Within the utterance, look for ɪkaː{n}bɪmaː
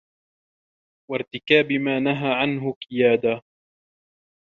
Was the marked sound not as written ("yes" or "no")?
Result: yes